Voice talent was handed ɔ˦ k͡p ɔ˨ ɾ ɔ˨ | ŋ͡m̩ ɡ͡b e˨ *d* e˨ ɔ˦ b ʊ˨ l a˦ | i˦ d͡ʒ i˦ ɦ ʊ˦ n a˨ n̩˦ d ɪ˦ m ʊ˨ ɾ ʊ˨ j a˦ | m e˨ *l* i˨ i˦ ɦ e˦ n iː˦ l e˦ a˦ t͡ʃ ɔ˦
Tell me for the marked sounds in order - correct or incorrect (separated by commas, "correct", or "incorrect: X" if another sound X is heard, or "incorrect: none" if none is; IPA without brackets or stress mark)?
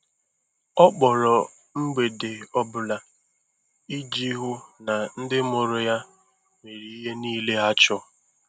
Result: correct, incorrect: ɾ